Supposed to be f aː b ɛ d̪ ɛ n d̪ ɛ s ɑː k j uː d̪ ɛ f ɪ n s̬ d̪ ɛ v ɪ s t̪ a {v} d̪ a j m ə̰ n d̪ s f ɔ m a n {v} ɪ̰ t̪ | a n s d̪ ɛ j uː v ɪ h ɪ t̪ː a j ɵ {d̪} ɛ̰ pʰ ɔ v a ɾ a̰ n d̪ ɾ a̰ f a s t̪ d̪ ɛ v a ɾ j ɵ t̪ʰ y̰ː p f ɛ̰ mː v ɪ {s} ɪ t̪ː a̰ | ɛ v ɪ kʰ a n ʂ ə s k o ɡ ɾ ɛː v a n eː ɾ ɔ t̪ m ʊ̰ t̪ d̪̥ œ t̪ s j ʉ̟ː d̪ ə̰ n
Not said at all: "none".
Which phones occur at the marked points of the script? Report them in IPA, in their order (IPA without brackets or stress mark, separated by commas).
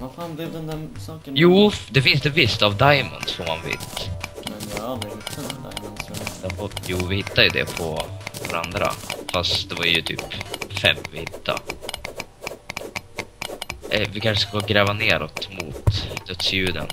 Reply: v, v, d̪, h